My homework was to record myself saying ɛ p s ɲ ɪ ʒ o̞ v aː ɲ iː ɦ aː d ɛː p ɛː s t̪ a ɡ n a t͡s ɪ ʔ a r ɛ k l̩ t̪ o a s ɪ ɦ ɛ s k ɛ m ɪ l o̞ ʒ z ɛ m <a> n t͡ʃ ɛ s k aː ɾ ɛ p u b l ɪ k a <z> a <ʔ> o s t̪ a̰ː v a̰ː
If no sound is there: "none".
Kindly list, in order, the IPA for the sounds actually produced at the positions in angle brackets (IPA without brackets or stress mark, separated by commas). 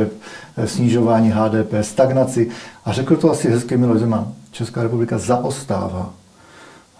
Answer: a, z, ʔ